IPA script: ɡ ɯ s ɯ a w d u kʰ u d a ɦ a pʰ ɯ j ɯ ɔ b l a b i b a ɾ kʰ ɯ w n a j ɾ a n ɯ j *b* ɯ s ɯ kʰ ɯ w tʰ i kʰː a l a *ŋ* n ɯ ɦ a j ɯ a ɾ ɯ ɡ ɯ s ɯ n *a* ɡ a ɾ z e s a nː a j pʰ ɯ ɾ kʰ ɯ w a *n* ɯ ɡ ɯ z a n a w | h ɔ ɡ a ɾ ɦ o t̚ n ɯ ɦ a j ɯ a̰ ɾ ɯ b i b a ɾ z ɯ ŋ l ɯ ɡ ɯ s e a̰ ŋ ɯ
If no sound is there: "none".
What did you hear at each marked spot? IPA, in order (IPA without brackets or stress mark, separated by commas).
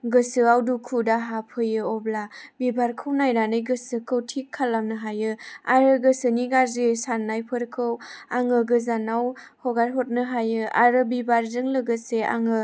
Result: ɡ, m, i, ŋ